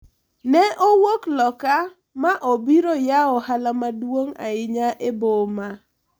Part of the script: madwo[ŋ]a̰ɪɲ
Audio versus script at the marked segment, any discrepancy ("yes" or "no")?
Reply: no